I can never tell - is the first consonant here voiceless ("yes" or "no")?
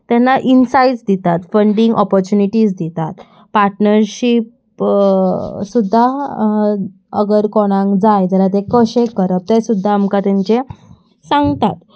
yes